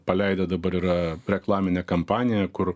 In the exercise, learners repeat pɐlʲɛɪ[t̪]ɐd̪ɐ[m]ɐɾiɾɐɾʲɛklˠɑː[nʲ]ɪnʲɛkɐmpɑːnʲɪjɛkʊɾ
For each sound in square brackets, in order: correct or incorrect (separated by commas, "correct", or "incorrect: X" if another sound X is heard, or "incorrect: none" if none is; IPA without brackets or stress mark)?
incorrect: d̪, incorrect: b, incorrect: mʲ